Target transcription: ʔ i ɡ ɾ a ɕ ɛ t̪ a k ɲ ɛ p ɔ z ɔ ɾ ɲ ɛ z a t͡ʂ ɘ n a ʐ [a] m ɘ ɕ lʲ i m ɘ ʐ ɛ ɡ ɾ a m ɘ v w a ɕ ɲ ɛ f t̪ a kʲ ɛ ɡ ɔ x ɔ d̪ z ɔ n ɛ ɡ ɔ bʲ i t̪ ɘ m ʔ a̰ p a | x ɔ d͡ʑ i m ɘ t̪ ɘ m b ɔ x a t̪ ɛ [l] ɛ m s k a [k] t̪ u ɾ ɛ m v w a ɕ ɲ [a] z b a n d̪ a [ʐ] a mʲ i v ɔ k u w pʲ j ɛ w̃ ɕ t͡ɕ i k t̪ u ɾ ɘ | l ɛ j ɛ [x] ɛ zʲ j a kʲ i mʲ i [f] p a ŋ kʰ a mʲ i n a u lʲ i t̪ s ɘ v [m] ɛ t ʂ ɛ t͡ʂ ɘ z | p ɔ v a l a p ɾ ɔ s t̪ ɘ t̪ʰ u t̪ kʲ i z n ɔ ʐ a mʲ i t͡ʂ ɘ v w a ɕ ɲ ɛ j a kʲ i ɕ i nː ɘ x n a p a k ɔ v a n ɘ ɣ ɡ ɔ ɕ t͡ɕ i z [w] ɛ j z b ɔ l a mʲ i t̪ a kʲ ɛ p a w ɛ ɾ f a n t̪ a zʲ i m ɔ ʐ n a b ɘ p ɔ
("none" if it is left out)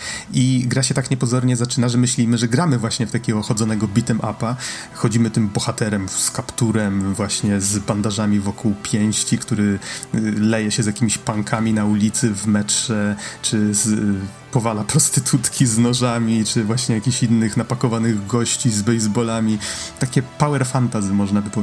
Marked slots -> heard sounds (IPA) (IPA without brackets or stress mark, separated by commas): ɛ, ɾ, p, ɛ, ʐ, ɕ, ɕ, m, b